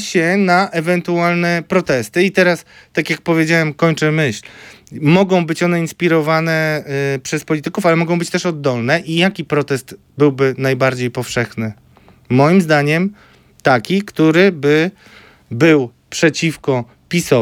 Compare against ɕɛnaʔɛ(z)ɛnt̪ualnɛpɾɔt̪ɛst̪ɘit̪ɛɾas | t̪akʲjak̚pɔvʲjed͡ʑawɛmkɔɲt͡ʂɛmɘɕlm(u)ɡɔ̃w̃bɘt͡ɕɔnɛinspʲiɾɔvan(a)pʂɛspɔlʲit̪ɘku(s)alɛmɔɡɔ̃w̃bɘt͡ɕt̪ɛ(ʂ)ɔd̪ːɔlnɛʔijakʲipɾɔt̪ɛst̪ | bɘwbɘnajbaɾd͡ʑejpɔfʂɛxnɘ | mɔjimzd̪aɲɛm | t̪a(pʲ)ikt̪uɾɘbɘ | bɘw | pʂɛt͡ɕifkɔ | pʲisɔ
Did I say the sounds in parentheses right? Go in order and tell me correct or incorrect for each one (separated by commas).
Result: incorrect, incorrect, incorrect, incorrect, correct, incorrect